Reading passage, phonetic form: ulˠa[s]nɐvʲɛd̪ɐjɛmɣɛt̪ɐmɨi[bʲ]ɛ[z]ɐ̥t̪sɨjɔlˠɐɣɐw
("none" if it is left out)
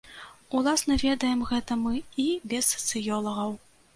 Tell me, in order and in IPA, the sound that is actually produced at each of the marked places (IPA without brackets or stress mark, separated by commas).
s, bʲ, s